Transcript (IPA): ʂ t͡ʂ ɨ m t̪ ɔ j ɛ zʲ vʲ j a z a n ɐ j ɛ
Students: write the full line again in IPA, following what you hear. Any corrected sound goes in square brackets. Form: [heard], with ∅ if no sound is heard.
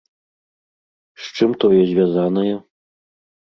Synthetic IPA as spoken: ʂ t͡ʂ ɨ m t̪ ɔ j ɛ zʲ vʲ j a z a n ɐ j ɛ

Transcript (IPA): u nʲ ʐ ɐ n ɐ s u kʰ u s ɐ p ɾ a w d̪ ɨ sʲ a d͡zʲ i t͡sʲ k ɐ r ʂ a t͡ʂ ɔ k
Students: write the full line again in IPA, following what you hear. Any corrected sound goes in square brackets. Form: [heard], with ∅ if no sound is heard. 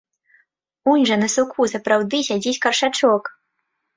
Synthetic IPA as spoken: u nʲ ʐ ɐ n ɐ s u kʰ u s ɐ p ɾ a w d̪ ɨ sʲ a d͡zʲ i t͡sʲ k ɐ r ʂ a t͡ʂ ɔ k

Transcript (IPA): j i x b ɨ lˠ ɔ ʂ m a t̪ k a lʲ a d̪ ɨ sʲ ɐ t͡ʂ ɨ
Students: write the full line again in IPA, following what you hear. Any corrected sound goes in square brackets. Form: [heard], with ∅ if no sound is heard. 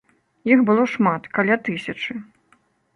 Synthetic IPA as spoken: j i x b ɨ lˠ ɔ ʂ m a t̪ k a lʲ a [t̪] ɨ sʲ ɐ t͡ʂ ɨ

